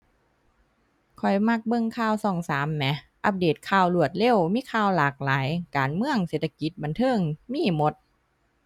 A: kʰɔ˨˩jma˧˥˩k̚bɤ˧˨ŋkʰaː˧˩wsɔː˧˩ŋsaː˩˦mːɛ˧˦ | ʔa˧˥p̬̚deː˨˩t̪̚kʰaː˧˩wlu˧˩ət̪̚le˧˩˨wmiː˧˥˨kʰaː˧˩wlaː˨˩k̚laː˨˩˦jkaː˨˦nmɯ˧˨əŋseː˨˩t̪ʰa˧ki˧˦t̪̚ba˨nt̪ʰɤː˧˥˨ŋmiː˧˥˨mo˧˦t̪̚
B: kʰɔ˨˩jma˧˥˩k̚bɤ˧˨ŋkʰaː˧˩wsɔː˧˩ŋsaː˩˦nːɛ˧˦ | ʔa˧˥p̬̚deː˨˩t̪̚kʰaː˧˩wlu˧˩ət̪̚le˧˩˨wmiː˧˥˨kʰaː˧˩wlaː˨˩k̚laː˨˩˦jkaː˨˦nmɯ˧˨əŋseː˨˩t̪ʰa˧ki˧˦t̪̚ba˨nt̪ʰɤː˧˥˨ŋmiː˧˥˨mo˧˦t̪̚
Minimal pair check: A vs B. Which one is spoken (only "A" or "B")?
A